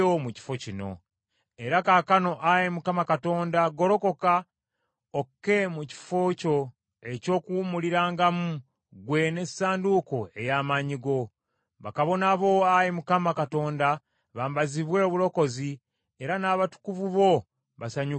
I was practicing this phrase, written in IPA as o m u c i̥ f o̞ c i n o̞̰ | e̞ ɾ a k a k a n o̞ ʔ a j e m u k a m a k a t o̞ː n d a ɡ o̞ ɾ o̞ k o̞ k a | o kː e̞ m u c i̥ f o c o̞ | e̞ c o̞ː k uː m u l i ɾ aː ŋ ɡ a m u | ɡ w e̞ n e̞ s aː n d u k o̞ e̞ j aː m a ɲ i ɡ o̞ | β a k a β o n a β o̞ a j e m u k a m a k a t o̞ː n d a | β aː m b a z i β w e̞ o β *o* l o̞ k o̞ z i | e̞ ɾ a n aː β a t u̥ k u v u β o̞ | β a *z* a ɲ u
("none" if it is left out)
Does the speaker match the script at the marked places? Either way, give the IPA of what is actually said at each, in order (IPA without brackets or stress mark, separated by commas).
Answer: u, s